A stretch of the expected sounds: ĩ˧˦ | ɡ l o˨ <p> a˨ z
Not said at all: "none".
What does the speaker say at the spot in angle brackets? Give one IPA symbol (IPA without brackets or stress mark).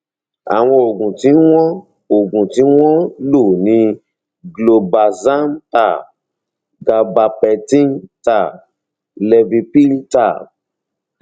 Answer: b